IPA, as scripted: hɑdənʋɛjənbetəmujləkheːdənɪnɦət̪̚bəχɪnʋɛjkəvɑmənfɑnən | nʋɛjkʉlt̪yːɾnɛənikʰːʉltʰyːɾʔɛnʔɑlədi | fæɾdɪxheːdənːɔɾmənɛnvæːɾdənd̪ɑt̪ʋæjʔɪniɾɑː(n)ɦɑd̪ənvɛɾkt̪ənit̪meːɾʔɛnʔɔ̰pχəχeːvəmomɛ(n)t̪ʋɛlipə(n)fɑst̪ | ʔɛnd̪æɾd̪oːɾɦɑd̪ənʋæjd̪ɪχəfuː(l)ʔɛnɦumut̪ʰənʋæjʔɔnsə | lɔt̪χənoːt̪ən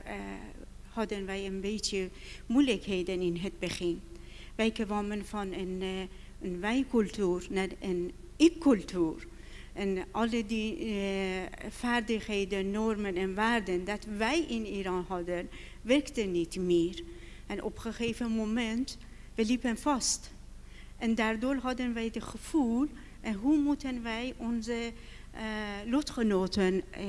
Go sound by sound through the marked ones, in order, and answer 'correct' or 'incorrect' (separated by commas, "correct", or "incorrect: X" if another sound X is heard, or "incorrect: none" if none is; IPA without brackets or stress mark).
correct, correct, correct, correct